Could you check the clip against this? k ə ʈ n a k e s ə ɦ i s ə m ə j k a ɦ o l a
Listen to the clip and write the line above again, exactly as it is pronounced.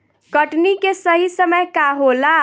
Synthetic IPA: k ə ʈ n i k e s ə ɦ i s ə m ə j k a ɦ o l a